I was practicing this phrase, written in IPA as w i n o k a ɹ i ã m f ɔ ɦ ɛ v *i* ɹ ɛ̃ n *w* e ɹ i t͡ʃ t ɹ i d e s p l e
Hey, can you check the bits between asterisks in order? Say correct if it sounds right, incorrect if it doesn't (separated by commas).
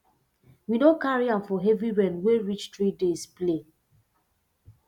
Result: correct, correct